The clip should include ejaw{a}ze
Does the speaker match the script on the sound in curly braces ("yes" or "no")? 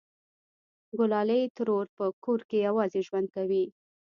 no